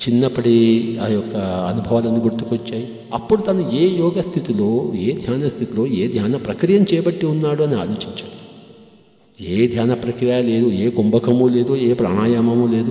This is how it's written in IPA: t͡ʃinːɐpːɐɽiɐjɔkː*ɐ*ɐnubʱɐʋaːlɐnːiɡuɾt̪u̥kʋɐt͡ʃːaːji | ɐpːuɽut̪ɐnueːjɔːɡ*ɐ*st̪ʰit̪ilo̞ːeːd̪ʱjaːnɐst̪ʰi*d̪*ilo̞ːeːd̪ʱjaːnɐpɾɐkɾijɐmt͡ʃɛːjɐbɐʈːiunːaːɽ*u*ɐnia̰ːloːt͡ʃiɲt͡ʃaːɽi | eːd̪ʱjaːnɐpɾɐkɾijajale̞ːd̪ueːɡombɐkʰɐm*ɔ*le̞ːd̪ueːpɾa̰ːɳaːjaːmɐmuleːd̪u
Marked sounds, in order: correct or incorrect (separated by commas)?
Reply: correct, correct, incorrect, correct, incorrect